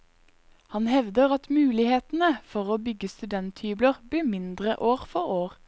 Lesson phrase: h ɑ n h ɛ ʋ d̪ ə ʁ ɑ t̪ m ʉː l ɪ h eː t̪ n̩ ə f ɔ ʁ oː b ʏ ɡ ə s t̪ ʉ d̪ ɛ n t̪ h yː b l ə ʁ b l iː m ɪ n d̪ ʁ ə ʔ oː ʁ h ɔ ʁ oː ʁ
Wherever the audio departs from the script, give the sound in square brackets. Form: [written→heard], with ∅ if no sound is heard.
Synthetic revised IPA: h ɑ n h ɛ ʋ d̪ ə ʁ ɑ t̪ m ʉː l ɪ h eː t̪ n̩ ə f ɔ ʁ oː b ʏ ɡ ə s t̪ ʉ d̪ ɛ n t̪ h yː b l ə ʁ b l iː m ɪ n d̪ ʁ ə ʔ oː ʁ [h→f] ɔ ʁ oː ʁ